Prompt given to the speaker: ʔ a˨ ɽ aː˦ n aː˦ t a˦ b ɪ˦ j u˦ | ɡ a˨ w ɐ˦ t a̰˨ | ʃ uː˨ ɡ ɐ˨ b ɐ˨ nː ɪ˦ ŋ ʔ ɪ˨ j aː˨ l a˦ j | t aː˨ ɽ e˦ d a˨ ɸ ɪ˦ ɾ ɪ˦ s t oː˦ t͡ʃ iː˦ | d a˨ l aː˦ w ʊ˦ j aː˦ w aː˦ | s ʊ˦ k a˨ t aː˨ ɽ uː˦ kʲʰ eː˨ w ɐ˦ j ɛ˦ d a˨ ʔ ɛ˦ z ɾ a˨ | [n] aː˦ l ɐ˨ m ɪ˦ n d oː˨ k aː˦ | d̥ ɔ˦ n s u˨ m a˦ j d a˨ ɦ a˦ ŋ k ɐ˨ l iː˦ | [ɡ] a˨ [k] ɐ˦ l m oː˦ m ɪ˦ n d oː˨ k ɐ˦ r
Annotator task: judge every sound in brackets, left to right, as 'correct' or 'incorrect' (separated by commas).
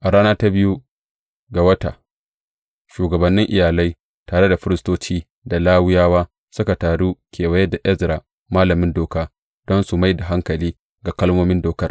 incorrect, correct, correct